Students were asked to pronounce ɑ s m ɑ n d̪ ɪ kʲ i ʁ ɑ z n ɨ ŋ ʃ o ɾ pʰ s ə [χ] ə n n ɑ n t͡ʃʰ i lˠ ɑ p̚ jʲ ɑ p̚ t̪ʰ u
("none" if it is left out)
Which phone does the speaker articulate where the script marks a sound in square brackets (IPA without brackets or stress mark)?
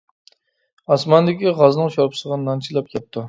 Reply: ʁ